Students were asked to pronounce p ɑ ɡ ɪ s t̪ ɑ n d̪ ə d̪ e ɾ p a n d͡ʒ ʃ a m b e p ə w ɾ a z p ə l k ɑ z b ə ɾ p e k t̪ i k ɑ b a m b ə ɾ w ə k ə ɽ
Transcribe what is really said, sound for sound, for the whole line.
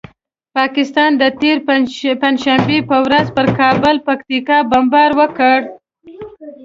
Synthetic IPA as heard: p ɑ k ɪ s t̪ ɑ n d̪ ə t̪ e ɾ p a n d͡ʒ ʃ a m b e p ə w ɾ a z p ə ɾ k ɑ b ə l p a k t̪ i k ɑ b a m b ɑ ɾ w ə k ə ɽ